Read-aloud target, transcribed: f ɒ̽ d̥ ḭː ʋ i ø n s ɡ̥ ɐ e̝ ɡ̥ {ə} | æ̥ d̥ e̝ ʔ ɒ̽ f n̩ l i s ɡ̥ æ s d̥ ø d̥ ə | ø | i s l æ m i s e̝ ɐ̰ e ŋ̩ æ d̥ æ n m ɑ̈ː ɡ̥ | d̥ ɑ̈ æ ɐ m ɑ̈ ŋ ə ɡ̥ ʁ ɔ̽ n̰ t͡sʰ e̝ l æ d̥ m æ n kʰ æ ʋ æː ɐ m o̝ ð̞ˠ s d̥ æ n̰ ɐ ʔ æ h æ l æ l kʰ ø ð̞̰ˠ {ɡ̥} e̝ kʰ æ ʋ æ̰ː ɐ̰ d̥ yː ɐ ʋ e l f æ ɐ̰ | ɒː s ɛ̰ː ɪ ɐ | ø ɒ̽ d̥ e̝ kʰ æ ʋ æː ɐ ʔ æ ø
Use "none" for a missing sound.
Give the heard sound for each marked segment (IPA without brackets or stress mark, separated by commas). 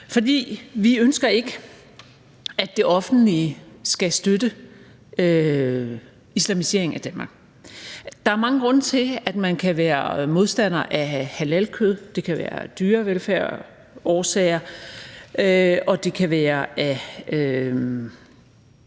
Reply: ə, d̥